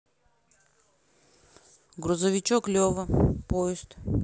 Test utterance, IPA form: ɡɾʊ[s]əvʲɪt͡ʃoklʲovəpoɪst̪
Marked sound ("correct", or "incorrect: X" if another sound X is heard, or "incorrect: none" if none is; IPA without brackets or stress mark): incorrect: z